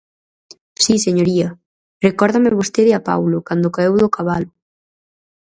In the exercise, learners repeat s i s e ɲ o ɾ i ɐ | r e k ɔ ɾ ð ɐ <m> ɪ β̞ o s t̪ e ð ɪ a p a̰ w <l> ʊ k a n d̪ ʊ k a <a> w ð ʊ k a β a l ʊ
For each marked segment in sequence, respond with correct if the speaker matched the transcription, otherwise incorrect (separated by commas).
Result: correct, correct, incorrect